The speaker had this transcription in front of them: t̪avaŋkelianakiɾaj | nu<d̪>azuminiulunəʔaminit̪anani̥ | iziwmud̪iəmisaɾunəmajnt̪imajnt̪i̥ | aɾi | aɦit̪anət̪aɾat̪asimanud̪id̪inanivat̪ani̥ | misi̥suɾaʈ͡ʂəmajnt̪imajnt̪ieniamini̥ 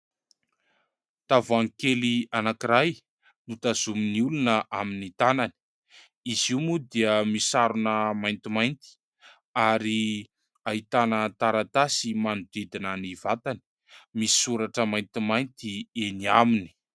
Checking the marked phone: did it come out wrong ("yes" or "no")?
yes